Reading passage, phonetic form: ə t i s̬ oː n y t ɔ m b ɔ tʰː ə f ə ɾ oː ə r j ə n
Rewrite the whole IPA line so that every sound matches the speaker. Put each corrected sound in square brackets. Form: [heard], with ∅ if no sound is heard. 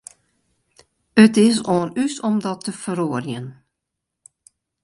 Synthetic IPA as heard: ə t [ɪ] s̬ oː n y [s] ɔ m [d] ɔ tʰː ə f ə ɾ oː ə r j ə n